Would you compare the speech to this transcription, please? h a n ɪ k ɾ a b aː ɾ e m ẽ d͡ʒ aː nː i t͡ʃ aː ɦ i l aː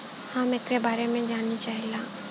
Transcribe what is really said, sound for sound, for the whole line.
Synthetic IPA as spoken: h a m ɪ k ɾ e b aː ɾ e m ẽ d͡ʒ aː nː i t͡ʃ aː ɦ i l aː